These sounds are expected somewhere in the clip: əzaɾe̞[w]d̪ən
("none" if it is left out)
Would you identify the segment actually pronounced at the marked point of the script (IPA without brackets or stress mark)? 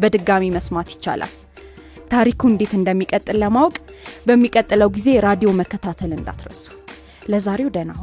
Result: w